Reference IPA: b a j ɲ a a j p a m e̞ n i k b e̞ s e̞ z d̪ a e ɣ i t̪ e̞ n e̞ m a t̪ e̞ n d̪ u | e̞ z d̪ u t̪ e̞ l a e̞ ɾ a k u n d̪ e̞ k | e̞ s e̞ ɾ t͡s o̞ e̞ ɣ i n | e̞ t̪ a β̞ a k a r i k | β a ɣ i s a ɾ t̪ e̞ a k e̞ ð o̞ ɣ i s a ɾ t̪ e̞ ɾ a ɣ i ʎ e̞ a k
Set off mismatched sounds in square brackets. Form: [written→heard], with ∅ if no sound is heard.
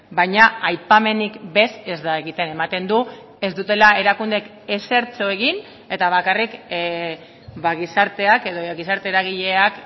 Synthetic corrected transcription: b a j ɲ a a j p a m e̞ n i k b e̞ s e̞ z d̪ a e ɣ i t̪ e̞ n e̞ m a t̪ e̞ n d̪ u | e̞ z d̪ u t̪ e̞ l a e̞ ɾ a k u n d̪ e̞ k | e̞ s e̞ ɾ t͡s o̞ e̞ ɣ i n | e̞ t̪ a β̞ a k a r i k | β a ɣ i s a ɾ t̪ e̞ a k e̞ ð o̞ ɣ i s a ɾ t̪ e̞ ɾ a ɣ i ʎ e̞ a k